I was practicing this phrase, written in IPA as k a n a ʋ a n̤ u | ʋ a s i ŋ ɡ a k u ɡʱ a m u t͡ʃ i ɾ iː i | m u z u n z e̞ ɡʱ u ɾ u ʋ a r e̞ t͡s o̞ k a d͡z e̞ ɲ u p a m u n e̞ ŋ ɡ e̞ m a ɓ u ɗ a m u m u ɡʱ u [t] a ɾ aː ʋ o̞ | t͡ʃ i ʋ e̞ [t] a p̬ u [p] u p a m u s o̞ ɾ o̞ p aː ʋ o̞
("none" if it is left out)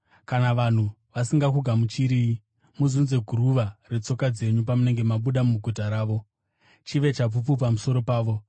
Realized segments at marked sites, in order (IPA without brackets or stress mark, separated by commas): t, t͡ʃ, p